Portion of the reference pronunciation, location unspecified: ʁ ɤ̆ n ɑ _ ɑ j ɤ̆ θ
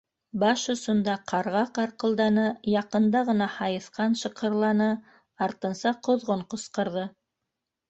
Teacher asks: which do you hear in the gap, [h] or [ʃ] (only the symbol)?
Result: h